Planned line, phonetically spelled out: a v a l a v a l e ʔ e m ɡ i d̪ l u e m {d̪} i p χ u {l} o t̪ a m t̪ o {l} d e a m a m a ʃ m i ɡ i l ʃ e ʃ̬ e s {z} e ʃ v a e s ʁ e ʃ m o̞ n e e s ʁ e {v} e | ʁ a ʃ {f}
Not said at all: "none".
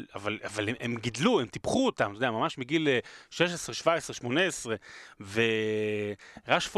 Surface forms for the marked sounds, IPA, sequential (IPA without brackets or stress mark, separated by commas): t̪, none, none, ʁ, v, f